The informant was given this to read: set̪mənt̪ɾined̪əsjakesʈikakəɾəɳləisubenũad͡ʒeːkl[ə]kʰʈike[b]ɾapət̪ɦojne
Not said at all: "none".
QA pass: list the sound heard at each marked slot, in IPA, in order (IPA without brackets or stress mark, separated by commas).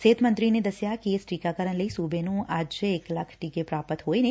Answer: a, p